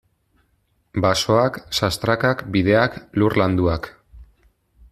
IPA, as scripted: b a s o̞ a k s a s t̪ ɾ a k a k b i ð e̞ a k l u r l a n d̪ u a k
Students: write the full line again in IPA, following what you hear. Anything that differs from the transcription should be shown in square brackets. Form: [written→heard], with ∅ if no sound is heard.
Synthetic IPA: b a s o̞ a k s a s t̪ ɾ a k a k b i ð e̞ a k l u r l a n d̪ u a k